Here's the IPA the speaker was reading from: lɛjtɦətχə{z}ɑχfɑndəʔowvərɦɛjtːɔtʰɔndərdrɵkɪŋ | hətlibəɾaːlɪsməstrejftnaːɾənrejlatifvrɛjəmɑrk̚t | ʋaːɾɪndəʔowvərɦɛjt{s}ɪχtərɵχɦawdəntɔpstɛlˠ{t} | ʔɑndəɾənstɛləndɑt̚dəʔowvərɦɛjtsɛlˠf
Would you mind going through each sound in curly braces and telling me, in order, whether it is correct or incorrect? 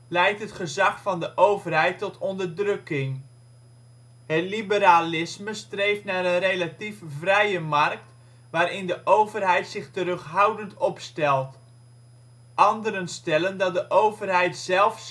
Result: correct, correct, correct

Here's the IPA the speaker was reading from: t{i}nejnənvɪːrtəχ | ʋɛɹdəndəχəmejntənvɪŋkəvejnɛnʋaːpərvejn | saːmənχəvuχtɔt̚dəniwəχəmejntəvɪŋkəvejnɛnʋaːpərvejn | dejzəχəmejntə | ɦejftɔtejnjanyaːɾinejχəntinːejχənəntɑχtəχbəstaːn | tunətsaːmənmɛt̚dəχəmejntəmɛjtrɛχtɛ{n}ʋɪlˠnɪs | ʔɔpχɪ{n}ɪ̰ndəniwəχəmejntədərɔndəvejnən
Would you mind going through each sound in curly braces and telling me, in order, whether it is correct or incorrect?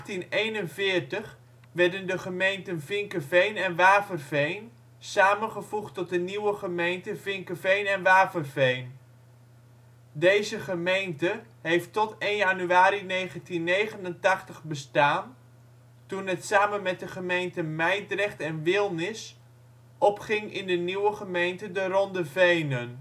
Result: correct, correct, incorrect: ŋ

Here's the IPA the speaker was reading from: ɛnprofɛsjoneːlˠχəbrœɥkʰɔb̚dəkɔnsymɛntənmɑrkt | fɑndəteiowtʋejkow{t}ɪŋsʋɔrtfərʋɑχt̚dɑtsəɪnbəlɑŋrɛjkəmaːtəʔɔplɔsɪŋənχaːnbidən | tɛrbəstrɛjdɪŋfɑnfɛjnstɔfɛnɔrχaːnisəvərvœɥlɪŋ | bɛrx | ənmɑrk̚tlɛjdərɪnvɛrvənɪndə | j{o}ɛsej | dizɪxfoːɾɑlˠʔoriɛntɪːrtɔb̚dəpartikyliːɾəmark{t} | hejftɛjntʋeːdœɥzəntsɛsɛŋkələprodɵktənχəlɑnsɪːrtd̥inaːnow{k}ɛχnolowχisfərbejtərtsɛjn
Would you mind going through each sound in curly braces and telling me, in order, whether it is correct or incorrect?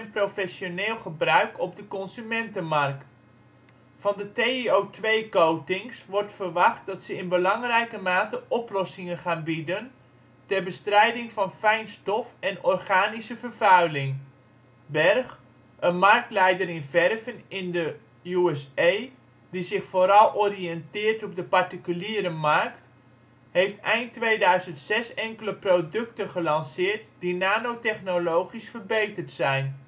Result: correct, incorrect: u, correct, incorrect: t

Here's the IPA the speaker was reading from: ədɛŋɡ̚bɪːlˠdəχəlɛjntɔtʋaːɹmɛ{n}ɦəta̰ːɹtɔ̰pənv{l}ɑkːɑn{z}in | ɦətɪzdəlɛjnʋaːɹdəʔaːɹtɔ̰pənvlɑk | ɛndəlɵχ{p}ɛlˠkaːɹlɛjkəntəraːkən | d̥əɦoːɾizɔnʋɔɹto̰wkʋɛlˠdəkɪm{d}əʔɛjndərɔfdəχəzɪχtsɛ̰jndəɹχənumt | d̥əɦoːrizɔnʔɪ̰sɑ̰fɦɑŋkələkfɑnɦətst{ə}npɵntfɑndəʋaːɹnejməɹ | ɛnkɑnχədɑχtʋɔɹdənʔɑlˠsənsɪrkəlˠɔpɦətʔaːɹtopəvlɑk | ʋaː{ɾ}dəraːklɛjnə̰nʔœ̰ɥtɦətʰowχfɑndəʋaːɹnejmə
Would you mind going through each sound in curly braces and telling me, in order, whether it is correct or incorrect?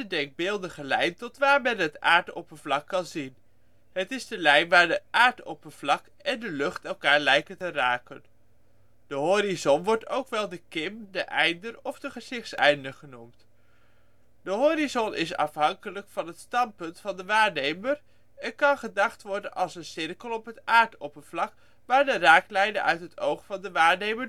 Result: correct, correct, correct, incorrect: t, correct, incorrect: ɑ, incorrect: ɹ

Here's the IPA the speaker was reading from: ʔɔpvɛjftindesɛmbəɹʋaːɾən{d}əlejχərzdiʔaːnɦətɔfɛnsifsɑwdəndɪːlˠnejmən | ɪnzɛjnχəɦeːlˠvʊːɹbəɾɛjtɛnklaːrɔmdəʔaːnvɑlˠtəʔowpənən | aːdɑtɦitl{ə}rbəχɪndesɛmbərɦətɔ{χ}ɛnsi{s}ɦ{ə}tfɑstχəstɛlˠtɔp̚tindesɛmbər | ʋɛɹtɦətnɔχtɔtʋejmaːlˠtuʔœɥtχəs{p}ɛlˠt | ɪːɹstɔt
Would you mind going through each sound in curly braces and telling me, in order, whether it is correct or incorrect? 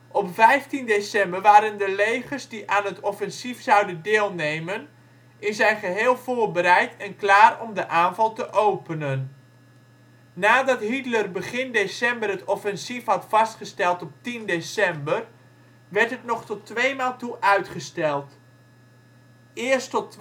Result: correct, correct, incorrect: f, incorrect: f, incorrect: ɑ, incorrect: t

